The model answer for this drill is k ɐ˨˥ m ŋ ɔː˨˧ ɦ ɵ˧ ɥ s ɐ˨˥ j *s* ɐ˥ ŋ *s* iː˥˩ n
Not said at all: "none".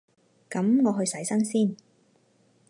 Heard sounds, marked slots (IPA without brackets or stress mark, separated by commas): s, s